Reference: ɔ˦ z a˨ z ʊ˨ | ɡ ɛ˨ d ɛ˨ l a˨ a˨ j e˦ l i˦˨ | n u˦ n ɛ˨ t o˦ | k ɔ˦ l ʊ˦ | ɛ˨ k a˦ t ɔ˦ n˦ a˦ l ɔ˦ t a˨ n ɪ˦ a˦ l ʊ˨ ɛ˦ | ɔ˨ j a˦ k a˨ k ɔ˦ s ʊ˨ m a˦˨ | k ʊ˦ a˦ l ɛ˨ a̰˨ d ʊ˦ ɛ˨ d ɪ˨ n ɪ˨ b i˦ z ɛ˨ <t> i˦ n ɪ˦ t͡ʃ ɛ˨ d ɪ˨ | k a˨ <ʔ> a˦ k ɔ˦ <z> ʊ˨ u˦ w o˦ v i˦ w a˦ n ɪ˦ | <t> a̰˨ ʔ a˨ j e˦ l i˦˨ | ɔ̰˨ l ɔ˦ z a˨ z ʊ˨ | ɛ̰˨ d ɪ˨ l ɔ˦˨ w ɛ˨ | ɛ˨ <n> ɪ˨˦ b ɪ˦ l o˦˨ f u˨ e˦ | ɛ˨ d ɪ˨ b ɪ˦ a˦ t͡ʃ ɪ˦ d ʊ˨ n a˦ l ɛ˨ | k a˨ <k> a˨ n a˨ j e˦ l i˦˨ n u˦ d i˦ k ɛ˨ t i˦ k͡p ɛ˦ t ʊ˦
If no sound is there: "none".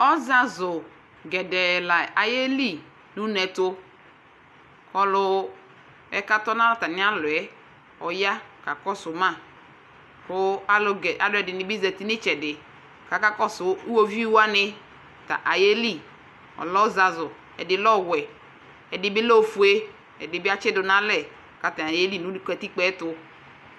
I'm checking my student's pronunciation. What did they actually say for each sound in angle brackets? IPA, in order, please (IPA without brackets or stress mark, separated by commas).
t, k, s, t, d, t